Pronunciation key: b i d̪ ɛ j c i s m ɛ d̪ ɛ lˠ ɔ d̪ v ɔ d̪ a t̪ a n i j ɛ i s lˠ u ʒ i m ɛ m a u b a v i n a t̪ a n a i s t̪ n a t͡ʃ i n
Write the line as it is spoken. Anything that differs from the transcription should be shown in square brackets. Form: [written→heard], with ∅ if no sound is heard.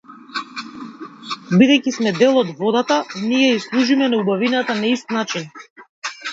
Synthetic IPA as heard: b i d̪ ɛ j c i s m ɛ d̪ ɛ lˠ ɔ d̪ v ɔ d̪ a t̪ a n i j ɛ i s lˠ u ʒ i m ɛ [m→n] a u b a v i n a t̪ a n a i s t̪ n a t͡ʃ i n